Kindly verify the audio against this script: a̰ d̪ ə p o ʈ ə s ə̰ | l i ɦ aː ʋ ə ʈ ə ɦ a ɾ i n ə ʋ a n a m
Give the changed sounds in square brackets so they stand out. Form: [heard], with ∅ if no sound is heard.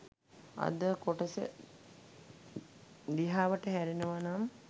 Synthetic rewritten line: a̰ d̪ ə [k] o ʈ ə s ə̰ | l i ɦ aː ʋ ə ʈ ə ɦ [æ] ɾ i n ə ʋ a n a m